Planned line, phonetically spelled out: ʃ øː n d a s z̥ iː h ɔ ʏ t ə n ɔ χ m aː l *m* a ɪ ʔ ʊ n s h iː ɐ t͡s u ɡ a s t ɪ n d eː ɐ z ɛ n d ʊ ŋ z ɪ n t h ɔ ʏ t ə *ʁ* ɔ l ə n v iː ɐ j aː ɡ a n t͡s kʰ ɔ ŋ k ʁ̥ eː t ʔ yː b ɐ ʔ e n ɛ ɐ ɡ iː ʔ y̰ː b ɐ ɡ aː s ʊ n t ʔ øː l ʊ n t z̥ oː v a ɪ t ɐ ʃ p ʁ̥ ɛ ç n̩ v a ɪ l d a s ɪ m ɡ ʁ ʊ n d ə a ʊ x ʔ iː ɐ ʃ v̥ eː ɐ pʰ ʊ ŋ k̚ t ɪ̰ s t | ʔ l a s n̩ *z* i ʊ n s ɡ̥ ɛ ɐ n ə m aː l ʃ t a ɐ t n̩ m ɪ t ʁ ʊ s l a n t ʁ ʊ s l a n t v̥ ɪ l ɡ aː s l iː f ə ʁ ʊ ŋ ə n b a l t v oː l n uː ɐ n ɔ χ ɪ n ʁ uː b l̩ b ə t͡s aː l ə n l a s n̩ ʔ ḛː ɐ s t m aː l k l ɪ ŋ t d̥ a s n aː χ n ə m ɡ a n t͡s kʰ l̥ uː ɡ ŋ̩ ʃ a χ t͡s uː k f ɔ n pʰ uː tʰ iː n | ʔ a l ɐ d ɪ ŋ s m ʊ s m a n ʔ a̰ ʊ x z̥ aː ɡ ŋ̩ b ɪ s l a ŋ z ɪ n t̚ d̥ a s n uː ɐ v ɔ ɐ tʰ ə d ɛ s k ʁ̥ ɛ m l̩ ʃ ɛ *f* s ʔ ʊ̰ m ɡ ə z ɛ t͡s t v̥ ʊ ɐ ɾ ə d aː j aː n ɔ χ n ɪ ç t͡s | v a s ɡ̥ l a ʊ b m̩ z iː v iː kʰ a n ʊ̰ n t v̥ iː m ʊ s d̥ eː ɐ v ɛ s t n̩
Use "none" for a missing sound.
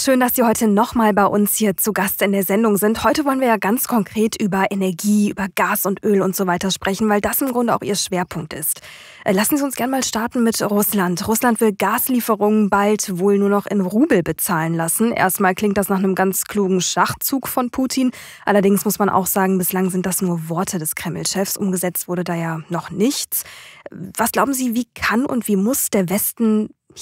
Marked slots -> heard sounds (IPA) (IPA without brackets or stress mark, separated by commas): b, v, z, f